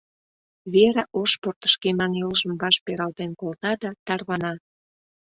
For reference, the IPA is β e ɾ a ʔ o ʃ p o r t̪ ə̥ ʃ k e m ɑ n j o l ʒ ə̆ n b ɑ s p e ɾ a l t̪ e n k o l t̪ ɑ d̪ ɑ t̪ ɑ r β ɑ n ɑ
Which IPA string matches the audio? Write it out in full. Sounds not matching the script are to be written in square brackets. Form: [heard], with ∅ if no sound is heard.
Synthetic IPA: β e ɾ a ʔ o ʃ p o r t̪ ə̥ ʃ k e m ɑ n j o l ʒ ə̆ [m] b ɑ [ʃ] p e ɾ [ɑ] l t̪ e n k o l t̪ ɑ d̪ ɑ t̪ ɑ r β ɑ n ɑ